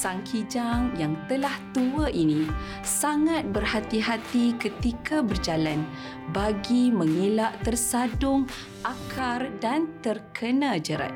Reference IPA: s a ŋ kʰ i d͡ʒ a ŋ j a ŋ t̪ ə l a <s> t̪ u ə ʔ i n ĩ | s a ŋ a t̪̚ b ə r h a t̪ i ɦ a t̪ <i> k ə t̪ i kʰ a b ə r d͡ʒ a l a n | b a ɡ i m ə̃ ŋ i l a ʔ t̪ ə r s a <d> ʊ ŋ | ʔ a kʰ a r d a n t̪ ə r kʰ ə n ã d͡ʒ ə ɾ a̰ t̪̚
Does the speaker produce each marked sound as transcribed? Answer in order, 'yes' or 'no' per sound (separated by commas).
no, yes, yes